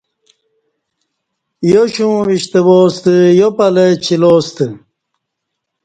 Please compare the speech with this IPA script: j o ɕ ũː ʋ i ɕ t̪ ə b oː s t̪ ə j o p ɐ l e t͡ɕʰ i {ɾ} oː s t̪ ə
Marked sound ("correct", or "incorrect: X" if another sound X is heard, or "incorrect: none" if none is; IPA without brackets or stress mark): incorrect: l